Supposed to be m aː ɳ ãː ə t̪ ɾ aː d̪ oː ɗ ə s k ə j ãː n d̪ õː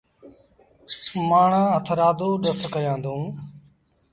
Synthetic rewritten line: m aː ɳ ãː ə t̪ʰ ɾ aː d̪ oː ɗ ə s k ə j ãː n d̪ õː